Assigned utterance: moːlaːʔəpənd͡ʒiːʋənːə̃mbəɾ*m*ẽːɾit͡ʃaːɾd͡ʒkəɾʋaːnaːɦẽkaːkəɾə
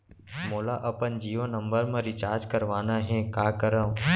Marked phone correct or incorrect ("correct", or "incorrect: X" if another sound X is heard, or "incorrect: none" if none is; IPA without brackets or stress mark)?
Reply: correct